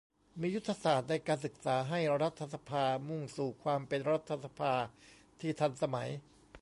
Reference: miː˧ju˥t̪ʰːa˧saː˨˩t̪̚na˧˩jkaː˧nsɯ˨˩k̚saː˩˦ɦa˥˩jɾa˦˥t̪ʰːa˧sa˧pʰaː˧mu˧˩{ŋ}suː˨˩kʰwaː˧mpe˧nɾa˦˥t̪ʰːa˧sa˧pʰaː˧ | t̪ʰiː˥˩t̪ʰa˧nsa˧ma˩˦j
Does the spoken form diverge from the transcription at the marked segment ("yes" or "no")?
no